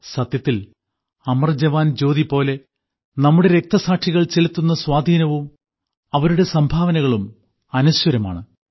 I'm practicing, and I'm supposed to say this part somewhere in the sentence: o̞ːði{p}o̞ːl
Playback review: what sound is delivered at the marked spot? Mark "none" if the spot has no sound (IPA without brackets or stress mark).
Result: p